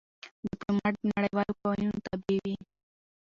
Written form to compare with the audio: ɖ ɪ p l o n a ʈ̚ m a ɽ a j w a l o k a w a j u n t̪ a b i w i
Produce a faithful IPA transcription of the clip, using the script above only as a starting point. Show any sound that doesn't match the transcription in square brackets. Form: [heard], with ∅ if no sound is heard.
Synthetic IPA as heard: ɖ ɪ p l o [m] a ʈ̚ [n] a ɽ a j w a l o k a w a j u n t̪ a b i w i